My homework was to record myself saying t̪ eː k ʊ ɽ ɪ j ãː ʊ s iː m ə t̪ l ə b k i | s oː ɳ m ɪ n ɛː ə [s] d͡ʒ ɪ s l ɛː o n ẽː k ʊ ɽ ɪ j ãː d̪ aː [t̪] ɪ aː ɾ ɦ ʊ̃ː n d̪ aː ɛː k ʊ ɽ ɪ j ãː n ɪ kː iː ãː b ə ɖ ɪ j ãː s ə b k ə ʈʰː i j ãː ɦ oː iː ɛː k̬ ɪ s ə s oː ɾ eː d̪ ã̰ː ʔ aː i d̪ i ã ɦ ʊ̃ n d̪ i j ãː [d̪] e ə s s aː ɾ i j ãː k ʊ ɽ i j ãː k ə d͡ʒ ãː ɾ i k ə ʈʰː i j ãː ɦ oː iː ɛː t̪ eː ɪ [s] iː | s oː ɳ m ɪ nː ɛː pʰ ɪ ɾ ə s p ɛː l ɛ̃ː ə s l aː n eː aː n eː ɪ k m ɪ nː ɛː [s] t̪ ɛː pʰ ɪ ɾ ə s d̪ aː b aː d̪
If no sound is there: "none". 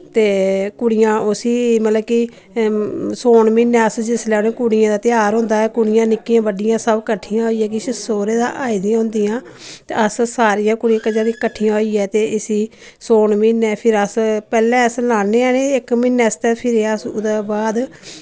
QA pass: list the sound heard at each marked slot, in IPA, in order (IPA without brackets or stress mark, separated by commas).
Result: s, t̪, t̪, s, s